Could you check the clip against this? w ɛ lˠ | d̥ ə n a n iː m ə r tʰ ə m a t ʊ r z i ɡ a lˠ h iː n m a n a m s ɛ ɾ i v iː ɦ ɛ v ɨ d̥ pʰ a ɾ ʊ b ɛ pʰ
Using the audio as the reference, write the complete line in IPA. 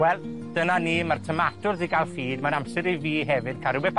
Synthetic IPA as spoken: w ɛ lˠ | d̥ ə n a n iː m a r tʰ ə m a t ʊ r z i ɡ a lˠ f iː d m a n a m s ɛ ɾ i v iː ɦ ɛ v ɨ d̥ kʰ a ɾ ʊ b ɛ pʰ